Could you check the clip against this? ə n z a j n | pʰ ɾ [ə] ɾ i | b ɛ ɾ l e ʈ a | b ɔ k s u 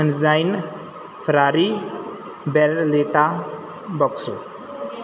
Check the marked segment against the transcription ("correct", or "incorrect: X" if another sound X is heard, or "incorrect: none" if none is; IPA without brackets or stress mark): incorrect: a